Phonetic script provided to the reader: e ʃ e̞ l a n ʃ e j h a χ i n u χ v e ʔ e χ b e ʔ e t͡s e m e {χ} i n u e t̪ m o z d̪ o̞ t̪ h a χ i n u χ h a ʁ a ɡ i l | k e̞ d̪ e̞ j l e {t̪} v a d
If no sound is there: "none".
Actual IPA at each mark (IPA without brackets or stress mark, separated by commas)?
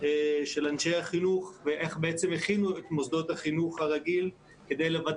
χ, none